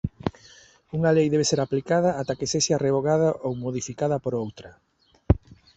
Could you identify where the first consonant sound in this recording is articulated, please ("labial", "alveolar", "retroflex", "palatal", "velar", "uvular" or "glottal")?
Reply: velar